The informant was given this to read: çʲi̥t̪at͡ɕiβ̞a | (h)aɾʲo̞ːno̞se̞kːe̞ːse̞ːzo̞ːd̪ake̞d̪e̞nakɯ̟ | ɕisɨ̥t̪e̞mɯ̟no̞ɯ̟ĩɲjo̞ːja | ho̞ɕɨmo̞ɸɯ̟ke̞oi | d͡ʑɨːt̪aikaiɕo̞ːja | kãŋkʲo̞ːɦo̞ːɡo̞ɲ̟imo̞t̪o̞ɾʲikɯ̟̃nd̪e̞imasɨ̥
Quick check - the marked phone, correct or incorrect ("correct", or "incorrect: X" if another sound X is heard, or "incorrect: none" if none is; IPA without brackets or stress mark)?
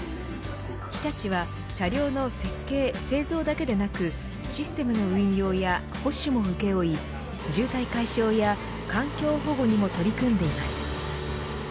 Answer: incorrect: ɕ